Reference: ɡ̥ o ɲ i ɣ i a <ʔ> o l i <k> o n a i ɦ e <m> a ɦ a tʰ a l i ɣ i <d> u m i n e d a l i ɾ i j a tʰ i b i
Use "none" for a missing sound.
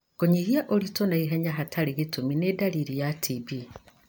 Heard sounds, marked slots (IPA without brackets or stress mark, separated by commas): ʔ, t, ɲ, t